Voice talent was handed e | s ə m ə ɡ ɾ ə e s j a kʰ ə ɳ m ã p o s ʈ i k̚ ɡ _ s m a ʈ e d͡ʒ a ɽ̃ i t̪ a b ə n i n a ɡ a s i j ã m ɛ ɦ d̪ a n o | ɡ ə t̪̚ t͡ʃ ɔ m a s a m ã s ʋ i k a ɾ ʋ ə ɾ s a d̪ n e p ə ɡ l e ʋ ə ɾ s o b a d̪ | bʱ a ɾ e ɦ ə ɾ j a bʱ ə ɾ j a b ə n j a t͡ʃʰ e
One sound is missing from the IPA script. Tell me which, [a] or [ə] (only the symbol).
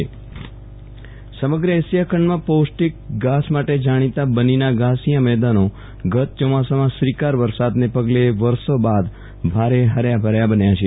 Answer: a